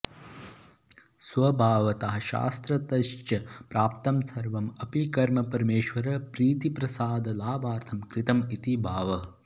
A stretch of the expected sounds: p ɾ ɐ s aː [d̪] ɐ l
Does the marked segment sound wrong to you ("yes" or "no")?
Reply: no